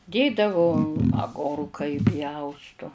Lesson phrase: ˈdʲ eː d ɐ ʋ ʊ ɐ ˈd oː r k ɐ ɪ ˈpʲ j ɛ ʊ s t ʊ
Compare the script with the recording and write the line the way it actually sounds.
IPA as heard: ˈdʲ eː d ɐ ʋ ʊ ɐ ˈɡ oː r k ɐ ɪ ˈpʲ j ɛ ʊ s t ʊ